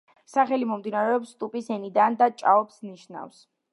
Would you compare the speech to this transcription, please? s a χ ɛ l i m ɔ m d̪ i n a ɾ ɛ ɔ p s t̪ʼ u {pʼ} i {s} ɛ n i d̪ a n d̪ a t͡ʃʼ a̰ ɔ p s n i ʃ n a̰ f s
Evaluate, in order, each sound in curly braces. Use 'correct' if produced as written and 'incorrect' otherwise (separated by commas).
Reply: correct, correct